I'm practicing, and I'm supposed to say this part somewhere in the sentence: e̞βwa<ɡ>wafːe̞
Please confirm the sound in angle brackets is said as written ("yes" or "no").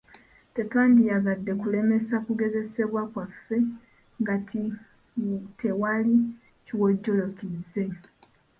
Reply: no